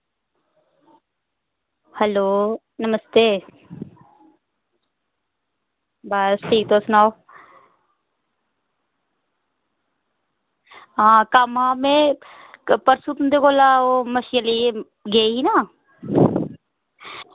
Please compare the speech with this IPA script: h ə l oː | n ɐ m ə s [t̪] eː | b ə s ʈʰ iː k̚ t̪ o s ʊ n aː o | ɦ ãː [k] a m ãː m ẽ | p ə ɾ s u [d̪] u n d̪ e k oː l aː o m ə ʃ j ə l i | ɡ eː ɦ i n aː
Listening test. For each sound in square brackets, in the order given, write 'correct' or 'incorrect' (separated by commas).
correct, correct, incorrect